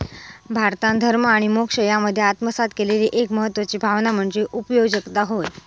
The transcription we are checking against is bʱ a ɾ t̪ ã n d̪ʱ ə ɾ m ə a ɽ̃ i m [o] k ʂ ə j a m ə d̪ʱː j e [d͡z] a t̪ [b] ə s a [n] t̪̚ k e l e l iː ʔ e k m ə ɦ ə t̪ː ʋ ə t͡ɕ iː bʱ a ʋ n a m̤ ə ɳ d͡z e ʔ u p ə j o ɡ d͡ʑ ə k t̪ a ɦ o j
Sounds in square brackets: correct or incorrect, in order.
correct, incorrect: none, incorrect: m, incorrect: none

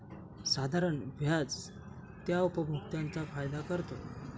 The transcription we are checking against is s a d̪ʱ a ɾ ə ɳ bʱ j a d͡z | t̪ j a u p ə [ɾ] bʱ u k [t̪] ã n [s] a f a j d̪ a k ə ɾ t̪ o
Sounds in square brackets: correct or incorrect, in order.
incorrect: none, correct, incorrect: t͡s

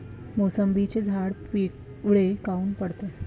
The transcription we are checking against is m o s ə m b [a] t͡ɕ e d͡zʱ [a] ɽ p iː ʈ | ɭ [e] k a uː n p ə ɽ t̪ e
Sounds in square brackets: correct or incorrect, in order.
incorrect: i, correct, correct

